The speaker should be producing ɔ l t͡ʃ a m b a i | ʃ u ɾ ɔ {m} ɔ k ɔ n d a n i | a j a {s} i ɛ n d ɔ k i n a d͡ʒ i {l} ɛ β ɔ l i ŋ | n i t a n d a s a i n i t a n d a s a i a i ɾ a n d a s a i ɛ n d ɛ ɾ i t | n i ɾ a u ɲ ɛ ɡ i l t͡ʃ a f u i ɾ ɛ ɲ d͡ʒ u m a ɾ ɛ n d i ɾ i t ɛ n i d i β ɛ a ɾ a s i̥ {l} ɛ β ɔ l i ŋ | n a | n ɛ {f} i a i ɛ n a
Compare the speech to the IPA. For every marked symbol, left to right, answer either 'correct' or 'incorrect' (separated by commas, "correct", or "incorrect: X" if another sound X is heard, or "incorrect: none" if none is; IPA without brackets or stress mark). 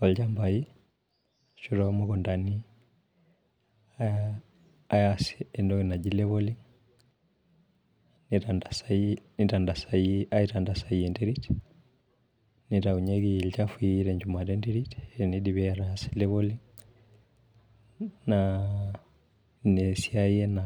correct, correct, correct, correct, incorrect: s